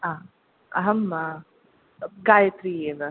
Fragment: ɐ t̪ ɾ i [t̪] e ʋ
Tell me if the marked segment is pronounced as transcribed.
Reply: no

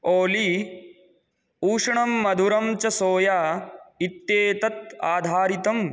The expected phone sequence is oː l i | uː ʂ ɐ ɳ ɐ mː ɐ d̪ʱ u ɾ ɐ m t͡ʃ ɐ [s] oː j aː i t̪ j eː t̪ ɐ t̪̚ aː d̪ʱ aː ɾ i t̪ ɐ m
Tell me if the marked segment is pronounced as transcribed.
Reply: yes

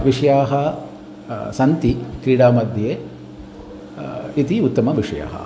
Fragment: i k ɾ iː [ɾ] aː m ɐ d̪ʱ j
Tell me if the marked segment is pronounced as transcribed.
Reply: no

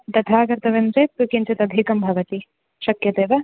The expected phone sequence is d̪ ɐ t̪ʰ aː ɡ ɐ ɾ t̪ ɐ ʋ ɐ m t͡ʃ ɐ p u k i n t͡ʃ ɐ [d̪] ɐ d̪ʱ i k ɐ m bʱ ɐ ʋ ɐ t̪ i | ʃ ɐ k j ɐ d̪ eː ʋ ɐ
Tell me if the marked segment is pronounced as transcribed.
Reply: no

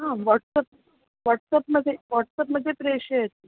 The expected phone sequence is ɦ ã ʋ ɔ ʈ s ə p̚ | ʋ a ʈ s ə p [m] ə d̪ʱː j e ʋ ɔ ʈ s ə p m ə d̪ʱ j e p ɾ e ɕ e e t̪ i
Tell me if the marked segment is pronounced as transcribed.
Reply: yes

